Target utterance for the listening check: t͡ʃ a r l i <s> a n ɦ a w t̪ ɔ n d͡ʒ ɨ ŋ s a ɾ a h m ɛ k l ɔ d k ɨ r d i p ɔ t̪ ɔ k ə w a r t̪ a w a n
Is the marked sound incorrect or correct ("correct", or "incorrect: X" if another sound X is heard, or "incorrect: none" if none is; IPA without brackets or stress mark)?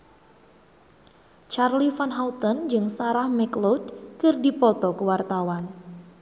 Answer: incorrect: f